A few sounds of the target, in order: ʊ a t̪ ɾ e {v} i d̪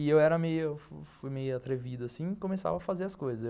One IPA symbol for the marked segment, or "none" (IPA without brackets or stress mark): v